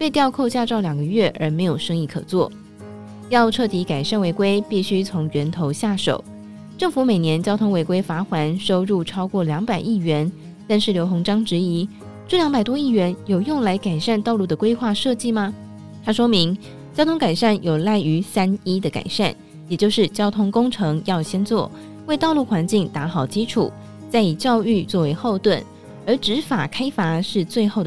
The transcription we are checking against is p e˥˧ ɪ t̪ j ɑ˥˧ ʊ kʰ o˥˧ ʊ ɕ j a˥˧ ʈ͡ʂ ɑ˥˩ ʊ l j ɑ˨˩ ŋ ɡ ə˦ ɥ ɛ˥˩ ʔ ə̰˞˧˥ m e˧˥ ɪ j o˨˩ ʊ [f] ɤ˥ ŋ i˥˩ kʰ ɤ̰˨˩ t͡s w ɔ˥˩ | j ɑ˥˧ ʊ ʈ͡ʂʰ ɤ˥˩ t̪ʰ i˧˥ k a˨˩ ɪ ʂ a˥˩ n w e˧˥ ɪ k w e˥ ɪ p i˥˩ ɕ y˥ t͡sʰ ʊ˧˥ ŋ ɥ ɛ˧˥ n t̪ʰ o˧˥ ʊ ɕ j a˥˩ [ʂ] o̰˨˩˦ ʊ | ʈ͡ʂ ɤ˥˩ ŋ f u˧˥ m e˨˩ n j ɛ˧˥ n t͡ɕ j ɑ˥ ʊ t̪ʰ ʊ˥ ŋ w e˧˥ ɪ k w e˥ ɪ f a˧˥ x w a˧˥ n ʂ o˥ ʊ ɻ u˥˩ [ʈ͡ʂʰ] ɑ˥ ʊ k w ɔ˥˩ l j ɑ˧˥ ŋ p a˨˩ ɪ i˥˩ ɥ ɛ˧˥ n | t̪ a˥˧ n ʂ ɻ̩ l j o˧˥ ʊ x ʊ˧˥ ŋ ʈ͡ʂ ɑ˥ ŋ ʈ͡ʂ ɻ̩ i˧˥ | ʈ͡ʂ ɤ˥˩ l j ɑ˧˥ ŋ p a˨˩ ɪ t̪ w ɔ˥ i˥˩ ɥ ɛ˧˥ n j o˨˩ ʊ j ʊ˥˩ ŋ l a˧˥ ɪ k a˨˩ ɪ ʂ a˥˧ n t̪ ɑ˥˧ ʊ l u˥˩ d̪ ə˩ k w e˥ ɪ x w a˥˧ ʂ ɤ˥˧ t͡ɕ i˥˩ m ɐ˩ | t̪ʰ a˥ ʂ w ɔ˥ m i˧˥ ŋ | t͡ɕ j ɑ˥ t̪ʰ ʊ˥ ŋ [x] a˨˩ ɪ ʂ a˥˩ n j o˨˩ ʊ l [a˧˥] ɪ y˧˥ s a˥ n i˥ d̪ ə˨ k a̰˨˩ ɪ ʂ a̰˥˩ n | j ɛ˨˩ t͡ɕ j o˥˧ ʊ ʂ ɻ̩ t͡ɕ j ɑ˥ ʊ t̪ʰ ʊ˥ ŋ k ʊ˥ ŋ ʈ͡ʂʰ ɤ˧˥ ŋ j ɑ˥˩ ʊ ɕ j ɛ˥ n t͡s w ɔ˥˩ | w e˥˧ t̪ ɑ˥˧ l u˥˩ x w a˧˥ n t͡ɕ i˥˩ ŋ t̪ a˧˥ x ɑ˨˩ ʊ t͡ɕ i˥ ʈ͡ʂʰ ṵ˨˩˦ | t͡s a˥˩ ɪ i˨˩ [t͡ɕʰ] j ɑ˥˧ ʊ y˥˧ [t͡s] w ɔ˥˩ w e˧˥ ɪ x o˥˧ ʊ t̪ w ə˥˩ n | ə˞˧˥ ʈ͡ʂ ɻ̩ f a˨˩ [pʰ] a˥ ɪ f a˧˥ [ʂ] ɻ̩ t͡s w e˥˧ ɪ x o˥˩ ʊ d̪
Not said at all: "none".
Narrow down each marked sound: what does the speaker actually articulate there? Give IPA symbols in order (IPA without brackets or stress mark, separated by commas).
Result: ʂ, ʂ, ʈ͡ʂʰ, k, a˥˩, t͡ɕ, t͡s, kʰ, ʂ